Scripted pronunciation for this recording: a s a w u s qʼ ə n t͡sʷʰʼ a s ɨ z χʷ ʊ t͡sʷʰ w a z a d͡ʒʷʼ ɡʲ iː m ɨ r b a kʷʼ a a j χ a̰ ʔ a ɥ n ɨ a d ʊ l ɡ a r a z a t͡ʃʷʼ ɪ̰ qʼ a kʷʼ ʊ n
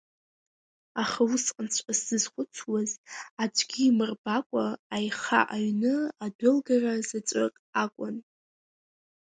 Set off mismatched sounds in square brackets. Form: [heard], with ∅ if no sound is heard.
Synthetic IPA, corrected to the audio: a [χ] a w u s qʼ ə n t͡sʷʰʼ a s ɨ z χʷ ʊ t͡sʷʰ w a z a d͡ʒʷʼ ɡʲ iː m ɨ r b a kʷʼ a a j χ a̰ ʔ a ɥ n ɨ a d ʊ l ɡ a r a z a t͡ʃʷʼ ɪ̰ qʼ a kʷʼ ʊ n